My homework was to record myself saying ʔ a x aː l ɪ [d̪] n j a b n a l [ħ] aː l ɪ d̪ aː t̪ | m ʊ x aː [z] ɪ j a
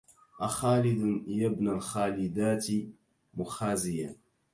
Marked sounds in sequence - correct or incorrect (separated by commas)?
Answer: correct, incorrect, correct